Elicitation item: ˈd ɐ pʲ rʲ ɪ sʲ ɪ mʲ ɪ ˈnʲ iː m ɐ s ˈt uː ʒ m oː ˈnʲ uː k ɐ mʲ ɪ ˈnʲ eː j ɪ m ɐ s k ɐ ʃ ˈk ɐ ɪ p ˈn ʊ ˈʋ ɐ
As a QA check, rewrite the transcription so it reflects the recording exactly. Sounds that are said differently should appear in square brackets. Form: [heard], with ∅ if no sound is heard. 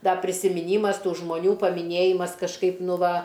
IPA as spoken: ˈd ɐ pʲ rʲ ɪ sʲ ɪ mʲ ɪ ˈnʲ iː m ɐ s ˈt uː ʒ m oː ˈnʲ uː [p] ɐ mʲ ɪ ˈnʲ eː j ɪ m ɐ s k ɐ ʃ ˈk ɐ ɪ p ˈn ʊ ˈʋ ɐ

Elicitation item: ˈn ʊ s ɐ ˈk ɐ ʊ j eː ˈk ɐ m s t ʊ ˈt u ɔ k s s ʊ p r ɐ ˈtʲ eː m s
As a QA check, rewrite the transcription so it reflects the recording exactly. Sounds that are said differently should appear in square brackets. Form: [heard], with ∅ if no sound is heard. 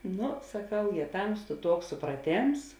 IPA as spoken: ˈn ʊ s ɐ ˈk ɐ ʊ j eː [ˈt] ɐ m s t ʊ ˈt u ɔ k s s ʊ p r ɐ ˈtʲ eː m s

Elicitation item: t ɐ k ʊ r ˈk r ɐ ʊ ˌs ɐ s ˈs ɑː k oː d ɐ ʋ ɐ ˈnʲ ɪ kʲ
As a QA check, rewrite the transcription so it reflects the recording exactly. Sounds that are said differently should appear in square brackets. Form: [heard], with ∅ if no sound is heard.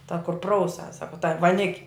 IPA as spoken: t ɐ k ʊ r [ˈp] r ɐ ʊ ˌs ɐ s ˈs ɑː k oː [t] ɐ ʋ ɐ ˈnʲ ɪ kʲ

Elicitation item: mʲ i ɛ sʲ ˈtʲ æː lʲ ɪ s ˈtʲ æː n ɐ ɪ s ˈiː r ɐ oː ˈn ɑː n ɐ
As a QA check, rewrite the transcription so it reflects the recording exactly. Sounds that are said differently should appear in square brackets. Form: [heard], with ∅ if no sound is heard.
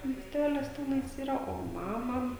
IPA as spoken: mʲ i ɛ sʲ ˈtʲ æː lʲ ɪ s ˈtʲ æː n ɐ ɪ s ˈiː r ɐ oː [ˈm] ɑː [m] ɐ

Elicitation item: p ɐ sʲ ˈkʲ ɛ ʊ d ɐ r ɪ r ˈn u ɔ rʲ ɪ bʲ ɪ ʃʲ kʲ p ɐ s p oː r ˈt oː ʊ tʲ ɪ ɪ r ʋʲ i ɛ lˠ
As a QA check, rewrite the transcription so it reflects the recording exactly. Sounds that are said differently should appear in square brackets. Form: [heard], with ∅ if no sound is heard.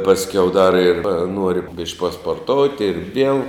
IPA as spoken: p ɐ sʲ ˈkʲ ɛ ʊ d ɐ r ɪ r ˈn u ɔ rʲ ɪ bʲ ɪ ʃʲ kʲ p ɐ s p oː r ˈt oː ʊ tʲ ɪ ɪ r ʋʲ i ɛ lˠ

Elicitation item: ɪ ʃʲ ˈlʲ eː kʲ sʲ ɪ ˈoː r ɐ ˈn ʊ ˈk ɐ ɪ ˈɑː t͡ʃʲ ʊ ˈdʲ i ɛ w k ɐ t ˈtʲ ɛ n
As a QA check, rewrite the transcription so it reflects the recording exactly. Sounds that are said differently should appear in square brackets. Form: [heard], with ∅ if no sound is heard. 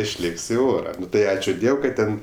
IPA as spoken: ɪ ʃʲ ˈlʲ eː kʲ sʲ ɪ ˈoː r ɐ ˈn ʊ [ˈt] ɐ ɪ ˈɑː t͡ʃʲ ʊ ˈdʲ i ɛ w k ɐ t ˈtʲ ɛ n

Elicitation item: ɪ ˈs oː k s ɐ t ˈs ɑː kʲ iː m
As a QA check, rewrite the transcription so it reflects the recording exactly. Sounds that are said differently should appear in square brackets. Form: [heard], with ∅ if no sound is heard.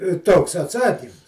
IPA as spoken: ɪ [ˈt] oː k s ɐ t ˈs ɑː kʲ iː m

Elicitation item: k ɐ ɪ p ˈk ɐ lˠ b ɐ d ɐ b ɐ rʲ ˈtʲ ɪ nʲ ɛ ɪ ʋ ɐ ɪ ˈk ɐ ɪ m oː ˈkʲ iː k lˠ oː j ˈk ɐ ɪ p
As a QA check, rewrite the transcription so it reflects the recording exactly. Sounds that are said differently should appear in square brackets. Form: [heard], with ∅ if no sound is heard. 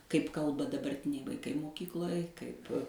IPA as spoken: k ɐ ɪ p ˈk ɐ lˠ b ɐ d ɐ b ɐ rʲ ˈtʲ ɪ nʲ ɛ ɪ ʋ ɐ ɪ ˈk ɐ ɪ m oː ˈkʲ iː k lˠ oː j ˈk ɐ ɪ p

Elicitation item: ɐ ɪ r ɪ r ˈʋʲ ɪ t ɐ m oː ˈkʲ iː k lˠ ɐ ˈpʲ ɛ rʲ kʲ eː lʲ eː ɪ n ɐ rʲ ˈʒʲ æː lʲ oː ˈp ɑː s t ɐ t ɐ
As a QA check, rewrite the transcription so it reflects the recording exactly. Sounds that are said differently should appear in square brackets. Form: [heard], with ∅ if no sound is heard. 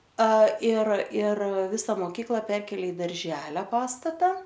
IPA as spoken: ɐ ɪ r ɪ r ˈʋʲ ɪ [s] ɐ m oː ˈkʲ iː k lˠ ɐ ˈpʲ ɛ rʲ kʲ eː lʲ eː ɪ [d] ɐ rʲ ˈʒʲ æː lʲ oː ˈp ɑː s t ɐ t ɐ

